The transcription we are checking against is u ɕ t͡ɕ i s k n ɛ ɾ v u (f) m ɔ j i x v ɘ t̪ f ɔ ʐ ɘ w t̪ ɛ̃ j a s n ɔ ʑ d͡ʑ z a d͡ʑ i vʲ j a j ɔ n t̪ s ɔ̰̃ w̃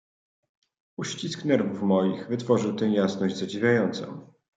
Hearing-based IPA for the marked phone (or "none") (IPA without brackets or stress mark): f